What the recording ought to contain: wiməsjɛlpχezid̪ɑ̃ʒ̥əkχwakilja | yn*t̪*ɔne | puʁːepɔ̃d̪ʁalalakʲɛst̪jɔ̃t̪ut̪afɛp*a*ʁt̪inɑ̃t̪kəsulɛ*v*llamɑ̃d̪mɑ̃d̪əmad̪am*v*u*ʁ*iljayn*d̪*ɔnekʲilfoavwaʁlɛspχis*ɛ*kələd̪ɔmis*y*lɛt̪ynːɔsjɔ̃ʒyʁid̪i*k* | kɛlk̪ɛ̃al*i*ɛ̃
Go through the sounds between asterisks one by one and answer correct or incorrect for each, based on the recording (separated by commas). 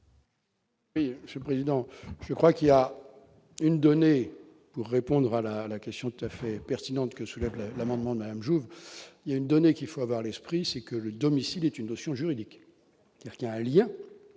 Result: incorrect, incorrect, correct, incorrect, incorrect, correct, correct, incorrect, correct, incorrect